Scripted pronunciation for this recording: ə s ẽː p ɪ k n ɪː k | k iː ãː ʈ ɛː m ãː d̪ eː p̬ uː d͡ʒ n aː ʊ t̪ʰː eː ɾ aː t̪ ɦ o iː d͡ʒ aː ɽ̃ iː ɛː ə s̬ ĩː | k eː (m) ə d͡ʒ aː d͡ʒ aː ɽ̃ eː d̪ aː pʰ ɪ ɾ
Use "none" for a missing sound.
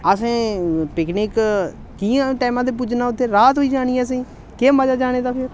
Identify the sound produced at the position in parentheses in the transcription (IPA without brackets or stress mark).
m